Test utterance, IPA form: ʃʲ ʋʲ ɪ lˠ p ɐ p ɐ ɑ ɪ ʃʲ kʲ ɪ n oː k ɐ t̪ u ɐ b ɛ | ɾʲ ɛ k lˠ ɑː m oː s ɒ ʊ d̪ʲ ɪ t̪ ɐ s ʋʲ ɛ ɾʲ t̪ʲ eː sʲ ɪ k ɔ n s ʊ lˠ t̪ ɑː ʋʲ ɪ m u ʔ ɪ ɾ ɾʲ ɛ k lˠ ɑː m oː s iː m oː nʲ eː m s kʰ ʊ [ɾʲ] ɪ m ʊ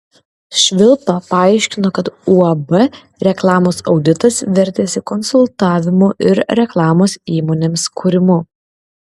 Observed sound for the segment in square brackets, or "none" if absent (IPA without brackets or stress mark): ɾʲ